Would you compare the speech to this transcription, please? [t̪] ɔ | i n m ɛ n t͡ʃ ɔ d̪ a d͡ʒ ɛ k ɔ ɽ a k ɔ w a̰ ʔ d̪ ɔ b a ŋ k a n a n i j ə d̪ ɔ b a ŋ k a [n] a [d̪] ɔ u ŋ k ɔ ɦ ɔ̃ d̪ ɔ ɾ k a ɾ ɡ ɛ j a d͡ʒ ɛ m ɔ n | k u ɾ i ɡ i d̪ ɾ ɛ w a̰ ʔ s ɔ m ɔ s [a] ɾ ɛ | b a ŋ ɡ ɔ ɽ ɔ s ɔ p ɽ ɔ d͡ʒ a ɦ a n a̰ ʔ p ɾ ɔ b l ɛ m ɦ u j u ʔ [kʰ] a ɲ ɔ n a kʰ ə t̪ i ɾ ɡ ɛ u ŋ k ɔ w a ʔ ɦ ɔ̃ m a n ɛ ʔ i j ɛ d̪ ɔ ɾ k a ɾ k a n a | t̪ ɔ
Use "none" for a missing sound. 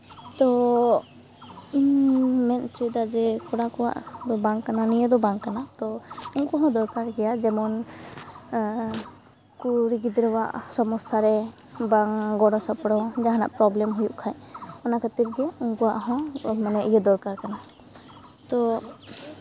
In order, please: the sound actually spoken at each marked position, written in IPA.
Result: t̪, n, t̪, a, kʰ

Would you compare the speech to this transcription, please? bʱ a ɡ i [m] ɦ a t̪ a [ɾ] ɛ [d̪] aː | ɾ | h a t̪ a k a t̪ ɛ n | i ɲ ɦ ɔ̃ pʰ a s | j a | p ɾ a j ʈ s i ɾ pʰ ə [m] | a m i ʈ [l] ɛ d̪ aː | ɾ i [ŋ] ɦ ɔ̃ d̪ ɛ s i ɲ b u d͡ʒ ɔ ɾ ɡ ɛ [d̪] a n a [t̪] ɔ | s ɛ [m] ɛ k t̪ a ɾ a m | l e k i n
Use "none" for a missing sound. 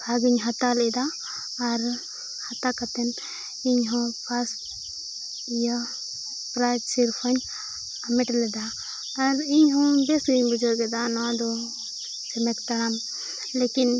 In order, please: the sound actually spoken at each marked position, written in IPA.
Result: ɲ, l, d̪, ɲ, l, ɲ, d̪, d̪, m

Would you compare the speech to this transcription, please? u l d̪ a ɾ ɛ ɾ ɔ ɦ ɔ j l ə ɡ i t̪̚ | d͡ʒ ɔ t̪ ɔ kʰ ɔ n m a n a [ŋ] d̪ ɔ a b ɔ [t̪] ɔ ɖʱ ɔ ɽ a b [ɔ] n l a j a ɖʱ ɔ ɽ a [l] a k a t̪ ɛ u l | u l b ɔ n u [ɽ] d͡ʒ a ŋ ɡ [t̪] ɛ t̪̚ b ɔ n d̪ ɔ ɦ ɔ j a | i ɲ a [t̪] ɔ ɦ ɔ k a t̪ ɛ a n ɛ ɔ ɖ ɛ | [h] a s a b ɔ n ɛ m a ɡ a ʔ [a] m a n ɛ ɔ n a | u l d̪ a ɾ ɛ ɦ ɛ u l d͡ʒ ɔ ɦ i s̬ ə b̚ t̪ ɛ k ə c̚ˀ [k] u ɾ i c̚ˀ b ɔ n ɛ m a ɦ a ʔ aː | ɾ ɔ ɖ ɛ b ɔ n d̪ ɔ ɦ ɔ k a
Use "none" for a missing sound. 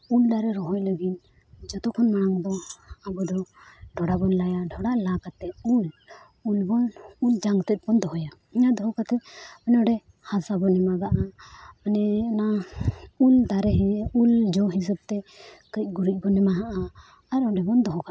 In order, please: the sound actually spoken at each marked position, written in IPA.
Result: ŋ, d̪, ɔ, l, l, t̪, d̪, h, a, ɡ

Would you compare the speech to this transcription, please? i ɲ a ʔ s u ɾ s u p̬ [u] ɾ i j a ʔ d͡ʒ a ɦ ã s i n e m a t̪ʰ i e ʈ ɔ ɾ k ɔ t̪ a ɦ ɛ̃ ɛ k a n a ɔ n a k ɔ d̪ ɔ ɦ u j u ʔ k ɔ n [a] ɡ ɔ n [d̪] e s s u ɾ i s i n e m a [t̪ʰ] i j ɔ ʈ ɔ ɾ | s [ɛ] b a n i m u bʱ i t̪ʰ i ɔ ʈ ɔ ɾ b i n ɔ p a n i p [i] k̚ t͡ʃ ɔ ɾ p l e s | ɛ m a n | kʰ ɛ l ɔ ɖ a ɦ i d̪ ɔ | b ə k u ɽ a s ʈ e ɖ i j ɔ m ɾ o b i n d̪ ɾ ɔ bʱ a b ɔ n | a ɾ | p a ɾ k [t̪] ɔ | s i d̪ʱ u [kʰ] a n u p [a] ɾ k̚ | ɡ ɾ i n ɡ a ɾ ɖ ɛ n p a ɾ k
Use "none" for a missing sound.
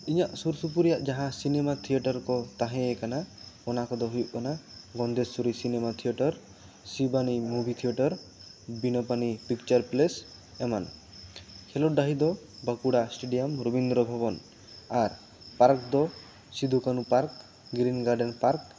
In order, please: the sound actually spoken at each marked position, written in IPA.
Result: u, a, d̪, t̪ʰ, i, i, d̪, k, a

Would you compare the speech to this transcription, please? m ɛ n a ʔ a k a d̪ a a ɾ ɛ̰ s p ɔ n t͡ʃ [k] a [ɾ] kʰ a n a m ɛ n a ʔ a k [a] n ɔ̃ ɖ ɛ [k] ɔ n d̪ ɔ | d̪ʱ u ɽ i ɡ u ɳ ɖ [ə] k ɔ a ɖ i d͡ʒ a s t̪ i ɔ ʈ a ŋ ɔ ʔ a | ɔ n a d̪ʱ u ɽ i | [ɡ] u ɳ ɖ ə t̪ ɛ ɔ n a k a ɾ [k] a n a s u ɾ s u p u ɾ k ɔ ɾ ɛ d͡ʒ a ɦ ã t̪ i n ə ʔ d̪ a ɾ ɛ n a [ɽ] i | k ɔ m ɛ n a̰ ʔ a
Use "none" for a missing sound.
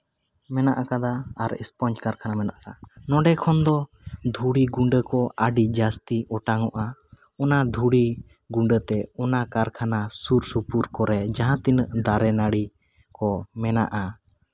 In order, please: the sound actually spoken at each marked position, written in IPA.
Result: k, ɾ, a, kʰ, ə, ɡ, kʰ, ɽ

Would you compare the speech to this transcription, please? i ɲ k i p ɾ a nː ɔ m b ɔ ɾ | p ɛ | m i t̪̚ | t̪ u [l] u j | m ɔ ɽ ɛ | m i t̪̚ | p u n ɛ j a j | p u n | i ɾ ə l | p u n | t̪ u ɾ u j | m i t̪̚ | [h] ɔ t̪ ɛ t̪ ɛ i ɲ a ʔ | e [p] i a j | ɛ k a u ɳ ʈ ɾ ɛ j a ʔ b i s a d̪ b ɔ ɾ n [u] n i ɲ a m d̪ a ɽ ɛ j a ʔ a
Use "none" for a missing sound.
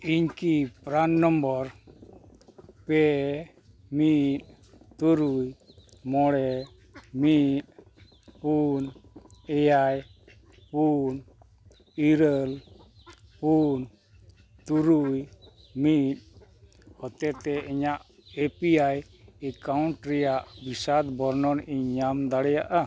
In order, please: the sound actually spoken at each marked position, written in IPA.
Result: ɾ, h, p, ɔ

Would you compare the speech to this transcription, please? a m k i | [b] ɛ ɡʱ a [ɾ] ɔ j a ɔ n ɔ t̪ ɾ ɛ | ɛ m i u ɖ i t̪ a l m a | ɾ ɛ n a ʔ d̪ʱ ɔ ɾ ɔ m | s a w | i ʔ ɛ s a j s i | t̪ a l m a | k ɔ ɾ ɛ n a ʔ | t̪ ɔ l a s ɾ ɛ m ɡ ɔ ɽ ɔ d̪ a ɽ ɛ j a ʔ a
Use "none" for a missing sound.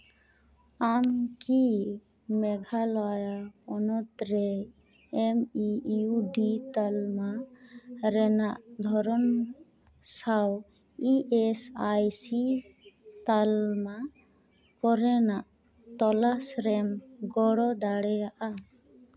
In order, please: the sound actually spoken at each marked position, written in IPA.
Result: m, l

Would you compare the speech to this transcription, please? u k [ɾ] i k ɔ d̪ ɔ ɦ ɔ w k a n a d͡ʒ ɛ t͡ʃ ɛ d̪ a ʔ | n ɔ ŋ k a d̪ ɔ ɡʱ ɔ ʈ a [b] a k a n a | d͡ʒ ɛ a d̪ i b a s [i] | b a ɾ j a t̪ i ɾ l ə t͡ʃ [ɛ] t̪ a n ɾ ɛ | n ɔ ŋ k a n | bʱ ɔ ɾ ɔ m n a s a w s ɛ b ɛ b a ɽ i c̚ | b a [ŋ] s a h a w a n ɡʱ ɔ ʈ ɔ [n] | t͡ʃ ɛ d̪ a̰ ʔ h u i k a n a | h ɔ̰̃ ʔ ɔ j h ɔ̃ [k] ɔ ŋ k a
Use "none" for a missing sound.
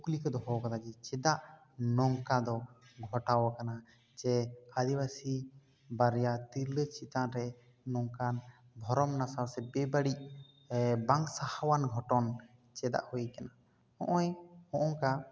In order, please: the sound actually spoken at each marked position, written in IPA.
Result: l, w, i, i, ŋ, n, ʔ

